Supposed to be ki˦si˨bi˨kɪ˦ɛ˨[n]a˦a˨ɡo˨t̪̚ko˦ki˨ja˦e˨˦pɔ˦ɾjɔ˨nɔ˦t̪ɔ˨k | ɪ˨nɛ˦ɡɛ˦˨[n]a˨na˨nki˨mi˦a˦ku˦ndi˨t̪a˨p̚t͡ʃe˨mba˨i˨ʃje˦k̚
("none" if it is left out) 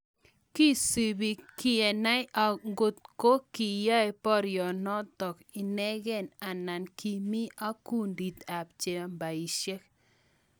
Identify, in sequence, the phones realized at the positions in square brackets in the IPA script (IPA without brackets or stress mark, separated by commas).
n, n